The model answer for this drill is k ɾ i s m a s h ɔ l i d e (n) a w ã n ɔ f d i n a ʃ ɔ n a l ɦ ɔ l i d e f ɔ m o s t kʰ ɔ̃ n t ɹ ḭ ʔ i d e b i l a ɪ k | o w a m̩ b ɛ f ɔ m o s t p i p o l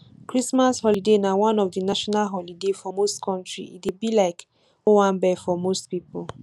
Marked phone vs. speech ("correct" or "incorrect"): correct